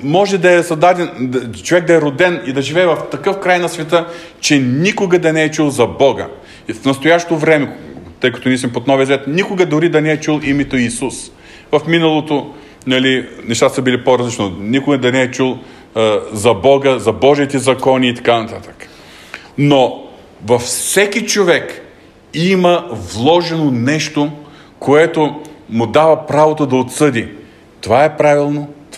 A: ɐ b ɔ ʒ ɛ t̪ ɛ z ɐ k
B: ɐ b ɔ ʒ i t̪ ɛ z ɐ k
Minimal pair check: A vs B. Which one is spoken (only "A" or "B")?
B